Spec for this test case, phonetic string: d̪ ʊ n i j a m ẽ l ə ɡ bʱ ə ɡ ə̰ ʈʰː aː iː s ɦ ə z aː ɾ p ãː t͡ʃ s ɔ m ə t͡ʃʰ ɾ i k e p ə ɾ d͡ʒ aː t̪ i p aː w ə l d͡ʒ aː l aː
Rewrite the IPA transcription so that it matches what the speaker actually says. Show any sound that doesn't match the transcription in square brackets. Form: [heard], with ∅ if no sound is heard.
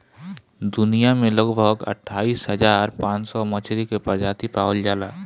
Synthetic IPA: d̪ ʊ n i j a m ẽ l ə ɡ bʱ ə ɡ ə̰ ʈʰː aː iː s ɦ ə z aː ɾ p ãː t͡ʃ s ɔ m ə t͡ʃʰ ɾ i k e p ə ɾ d͡ʒ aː t̪ i p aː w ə l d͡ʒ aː l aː